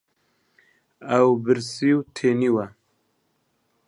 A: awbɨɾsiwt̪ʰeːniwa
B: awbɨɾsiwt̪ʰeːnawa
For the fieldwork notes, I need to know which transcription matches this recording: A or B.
A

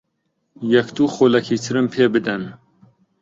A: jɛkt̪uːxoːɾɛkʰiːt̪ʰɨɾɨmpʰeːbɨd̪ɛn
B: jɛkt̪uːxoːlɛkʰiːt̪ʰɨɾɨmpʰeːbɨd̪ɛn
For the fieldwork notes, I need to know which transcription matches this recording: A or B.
B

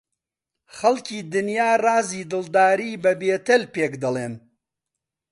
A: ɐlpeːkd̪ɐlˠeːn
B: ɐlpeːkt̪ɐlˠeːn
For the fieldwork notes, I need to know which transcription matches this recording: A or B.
A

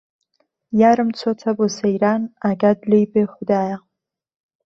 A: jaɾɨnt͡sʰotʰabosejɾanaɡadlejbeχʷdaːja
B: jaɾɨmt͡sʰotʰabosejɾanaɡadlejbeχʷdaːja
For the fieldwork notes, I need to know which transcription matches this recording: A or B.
B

